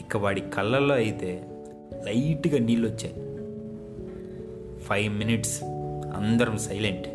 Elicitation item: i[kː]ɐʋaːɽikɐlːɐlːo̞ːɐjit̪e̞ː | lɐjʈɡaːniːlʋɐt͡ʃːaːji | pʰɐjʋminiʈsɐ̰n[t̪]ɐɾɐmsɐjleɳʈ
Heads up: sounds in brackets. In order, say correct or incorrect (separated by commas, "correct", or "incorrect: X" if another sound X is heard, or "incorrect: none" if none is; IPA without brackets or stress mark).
correct, incorrect: d̪